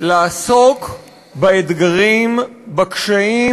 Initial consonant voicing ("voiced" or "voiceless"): voiced